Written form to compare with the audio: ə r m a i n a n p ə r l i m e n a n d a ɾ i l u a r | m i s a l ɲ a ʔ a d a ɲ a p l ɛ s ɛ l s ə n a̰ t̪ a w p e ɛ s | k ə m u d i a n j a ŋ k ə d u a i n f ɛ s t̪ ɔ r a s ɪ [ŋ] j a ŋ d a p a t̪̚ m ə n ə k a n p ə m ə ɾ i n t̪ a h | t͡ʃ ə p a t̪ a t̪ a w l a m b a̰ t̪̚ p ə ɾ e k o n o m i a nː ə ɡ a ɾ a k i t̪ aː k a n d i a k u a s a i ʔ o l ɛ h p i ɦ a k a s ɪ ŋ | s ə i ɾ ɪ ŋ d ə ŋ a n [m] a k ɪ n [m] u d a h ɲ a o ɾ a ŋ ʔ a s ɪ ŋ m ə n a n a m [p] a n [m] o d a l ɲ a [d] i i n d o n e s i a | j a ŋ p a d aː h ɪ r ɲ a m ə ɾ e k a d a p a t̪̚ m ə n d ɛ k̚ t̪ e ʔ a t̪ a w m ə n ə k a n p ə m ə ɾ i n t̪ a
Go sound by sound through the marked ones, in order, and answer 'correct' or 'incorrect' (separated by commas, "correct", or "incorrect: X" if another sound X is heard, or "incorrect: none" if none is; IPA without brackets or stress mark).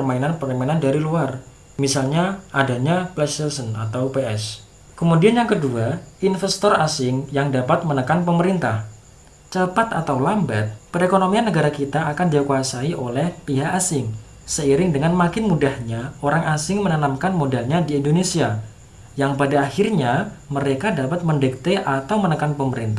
correct, correct, correct, incorrect: k, correct, correct